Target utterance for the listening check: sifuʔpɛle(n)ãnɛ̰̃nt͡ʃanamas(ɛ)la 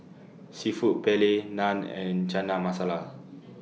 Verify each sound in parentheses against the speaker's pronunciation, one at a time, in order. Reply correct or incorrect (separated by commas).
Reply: correct, incorrect